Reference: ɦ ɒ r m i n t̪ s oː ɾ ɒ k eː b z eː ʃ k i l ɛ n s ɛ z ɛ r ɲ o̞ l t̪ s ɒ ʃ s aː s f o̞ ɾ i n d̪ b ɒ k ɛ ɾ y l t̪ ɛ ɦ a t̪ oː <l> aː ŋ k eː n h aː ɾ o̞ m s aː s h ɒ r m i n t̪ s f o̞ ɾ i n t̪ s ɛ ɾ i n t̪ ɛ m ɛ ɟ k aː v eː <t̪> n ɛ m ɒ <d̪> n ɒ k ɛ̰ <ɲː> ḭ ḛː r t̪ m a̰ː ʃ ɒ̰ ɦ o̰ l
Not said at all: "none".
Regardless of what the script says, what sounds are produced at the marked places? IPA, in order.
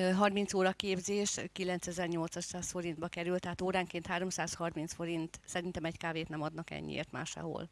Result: ɾ, t̪, d̪, ɲː

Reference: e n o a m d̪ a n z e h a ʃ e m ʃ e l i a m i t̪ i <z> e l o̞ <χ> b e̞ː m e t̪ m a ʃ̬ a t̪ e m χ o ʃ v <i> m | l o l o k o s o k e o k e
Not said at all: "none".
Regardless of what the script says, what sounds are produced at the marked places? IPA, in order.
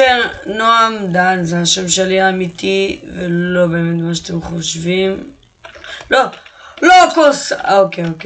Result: v, none, i

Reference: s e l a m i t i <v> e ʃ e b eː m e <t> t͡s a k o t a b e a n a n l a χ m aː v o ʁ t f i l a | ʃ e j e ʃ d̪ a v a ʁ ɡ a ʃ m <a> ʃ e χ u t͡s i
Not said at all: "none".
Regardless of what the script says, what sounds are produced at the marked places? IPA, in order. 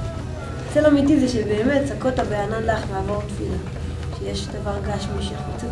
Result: z, t, i

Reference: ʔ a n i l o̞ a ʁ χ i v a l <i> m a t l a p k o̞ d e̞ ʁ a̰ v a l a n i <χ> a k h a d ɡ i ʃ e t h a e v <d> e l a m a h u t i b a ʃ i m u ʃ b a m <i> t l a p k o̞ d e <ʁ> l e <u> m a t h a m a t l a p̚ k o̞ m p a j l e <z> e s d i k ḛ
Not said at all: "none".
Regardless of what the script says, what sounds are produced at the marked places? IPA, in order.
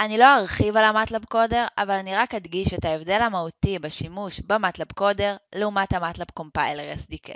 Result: a, ʁ, d, a, ʁ, u, ʁ

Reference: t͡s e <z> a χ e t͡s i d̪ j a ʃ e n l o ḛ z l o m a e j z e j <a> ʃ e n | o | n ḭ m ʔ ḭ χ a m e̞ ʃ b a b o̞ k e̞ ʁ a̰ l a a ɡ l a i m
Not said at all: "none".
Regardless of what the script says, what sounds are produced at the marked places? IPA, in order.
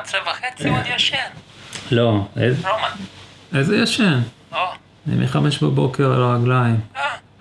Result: v, a

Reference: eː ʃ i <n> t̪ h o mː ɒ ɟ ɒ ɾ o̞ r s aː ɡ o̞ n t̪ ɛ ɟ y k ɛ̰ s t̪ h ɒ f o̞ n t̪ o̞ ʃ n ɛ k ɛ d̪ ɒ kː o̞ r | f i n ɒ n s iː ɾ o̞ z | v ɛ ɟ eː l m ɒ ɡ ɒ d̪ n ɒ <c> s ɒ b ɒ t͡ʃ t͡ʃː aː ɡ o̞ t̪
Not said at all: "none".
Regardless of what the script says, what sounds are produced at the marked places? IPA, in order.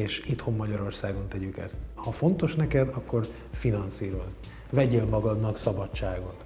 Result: none, k

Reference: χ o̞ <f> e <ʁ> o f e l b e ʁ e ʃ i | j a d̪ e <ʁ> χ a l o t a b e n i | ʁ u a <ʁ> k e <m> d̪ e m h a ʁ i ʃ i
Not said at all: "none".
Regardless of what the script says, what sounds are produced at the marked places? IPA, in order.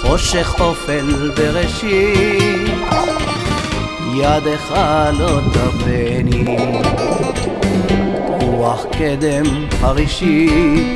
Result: ʃ, χ, none, χ, none

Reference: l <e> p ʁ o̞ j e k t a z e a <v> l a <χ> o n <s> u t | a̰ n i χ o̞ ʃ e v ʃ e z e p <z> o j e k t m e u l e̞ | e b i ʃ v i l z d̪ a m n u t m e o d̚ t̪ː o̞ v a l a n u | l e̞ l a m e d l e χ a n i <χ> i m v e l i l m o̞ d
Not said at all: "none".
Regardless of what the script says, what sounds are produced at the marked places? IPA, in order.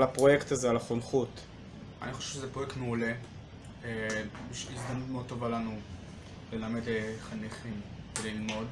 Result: a, none, χ, χ, ʁ, χ

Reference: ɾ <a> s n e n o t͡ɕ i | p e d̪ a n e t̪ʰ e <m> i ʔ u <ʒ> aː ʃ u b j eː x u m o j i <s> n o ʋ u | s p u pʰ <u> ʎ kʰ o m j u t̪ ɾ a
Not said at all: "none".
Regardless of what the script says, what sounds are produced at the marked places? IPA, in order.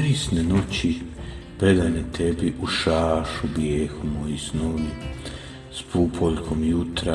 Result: i, b, ʃ, s, o

